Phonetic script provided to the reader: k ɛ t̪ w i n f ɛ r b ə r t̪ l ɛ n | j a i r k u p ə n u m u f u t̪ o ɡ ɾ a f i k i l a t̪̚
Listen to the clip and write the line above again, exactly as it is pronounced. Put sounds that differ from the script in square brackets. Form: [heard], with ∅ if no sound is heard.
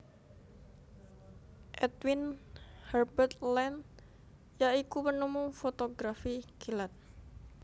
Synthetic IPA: [ʔ] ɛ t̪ w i n [h] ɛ r b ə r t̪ l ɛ n | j a i [∅] k u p ə n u m u f [o] t̪ o ɡ ɾ a f i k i l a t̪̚